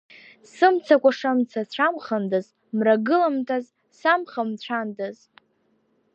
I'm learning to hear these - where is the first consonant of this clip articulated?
tongue tip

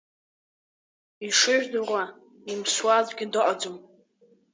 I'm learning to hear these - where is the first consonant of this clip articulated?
retroflex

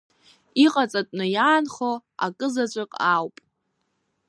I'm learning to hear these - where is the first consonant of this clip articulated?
uvula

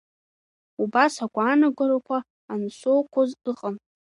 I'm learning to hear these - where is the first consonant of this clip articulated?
lips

